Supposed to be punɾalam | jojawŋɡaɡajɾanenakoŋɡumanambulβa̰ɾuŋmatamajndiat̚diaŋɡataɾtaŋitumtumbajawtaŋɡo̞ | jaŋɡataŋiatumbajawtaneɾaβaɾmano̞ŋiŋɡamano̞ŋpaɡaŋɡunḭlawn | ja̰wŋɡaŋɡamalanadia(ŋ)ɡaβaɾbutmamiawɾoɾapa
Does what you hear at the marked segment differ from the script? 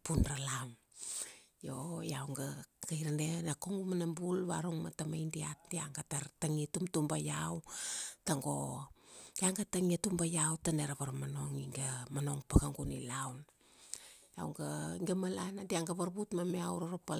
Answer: no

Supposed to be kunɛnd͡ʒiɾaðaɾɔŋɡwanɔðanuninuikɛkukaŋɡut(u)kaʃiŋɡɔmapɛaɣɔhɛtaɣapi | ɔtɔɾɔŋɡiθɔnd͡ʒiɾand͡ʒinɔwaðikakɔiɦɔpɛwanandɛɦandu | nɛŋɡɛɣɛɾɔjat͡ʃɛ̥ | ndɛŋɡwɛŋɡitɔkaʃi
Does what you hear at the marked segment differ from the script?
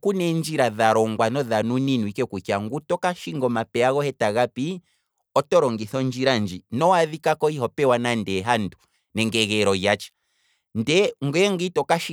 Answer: yes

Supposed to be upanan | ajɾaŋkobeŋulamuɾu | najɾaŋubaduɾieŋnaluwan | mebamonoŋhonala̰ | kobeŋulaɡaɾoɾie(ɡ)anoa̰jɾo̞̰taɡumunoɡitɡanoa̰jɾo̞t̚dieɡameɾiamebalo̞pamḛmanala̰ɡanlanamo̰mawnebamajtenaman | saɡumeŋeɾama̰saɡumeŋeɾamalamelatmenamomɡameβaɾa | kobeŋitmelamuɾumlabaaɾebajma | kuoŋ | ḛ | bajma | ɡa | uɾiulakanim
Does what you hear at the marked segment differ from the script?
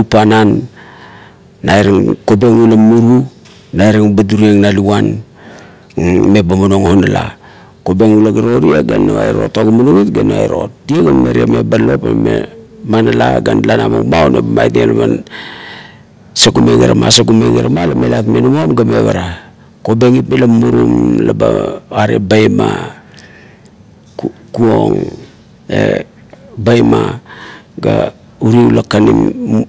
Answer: no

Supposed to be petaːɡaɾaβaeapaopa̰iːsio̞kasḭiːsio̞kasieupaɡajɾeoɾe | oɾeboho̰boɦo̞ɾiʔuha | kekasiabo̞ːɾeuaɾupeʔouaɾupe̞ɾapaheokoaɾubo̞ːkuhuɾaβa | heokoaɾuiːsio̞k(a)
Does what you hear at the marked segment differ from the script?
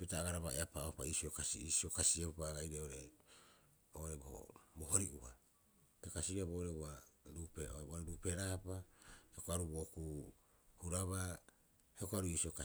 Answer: no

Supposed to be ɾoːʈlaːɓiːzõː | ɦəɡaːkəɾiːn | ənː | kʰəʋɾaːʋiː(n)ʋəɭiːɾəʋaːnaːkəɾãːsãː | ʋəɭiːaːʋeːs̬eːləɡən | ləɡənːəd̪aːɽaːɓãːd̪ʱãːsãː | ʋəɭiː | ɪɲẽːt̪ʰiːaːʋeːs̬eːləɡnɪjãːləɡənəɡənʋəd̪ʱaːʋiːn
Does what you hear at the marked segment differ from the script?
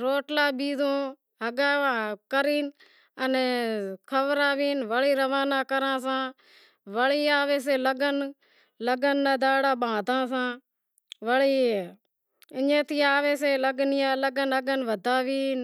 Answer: no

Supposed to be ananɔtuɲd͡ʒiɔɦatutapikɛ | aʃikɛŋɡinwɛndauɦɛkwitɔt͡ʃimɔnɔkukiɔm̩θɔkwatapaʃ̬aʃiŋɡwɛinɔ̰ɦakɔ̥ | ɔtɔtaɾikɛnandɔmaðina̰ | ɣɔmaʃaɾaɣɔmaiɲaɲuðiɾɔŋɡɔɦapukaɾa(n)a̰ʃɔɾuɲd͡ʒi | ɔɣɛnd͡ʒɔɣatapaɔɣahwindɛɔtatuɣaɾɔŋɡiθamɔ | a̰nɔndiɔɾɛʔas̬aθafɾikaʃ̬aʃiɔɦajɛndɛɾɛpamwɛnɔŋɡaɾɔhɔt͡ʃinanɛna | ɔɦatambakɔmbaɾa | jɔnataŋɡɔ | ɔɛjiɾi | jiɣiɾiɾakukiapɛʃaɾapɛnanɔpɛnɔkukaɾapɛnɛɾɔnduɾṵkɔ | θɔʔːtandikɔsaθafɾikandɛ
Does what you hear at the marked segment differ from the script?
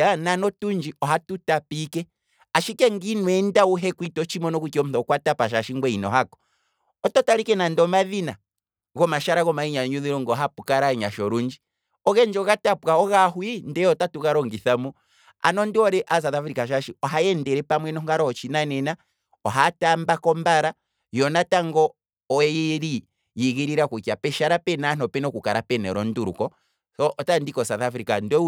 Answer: yes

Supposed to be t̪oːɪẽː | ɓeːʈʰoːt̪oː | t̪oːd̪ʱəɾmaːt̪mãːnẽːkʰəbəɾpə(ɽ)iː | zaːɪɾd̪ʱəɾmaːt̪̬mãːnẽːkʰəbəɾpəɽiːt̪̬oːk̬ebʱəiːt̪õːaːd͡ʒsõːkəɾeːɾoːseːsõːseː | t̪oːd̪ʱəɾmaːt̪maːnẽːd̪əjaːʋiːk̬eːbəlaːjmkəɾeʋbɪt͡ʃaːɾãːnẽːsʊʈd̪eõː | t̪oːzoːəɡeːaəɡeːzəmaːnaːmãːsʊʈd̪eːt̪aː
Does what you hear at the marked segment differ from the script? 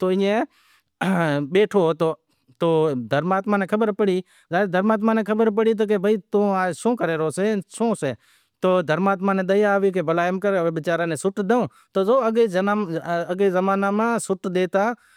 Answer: no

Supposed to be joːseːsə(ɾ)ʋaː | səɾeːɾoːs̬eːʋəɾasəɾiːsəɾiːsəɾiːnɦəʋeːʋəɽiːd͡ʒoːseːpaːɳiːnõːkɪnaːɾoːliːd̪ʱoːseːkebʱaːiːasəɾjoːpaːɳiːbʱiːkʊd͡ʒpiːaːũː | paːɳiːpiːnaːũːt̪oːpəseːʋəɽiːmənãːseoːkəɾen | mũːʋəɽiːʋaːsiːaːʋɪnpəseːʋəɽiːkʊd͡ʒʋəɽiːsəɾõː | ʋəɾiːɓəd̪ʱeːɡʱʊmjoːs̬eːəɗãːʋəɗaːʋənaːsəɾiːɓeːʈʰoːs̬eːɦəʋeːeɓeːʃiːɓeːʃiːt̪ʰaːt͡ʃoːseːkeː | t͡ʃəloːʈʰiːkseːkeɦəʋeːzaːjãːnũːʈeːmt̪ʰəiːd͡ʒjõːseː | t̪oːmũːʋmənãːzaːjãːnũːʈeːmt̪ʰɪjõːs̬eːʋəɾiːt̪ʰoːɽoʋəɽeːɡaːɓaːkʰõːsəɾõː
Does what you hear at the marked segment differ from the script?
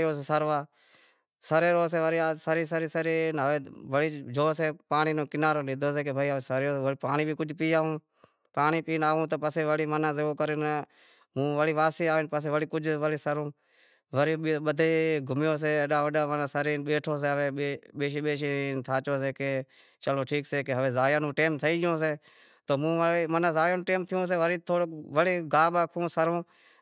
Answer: no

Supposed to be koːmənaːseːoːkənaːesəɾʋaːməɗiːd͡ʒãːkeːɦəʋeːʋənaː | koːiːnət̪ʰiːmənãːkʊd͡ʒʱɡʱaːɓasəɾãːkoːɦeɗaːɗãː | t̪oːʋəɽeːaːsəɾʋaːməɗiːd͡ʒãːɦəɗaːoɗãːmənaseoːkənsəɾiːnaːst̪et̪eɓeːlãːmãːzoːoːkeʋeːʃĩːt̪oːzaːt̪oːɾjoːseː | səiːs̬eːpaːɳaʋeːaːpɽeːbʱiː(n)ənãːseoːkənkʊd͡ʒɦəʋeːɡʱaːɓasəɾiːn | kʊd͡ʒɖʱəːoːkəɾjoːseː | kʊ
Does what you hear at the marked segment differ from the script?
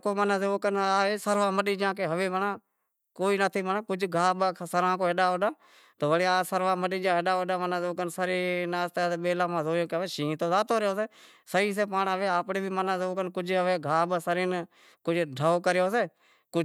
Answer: yes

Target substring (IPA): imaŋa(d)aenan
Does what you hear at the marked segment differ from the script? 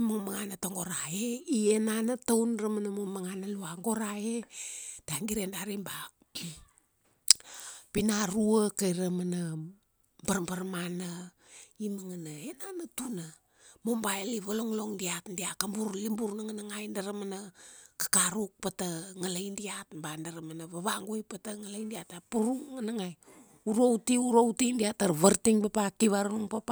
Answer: yes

